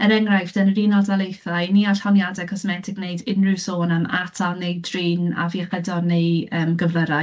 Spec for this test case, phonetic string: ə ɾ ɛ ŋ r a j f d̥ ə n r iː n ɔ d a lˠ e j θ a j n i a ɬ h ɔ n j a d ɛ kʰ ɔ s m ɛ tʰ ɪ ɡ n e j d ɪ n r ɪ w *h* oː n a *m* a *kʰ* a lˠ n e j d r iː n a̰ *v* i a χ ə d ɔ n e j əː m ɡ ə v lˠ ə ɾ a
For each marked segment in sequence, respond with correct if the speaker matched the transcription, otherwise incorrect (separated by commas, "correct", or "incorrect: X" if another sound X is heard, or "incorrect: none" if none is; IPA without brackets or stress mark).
incorrect: s, correct, incorrect: tʰ, correct